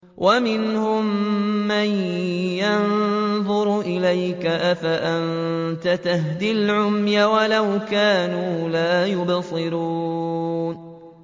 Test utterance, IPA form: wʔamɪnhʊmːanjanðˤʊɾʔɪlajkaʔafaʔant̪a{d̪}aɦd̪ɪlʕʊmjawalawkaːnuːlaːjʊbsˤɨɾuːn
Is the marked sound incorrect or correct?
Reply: incorrect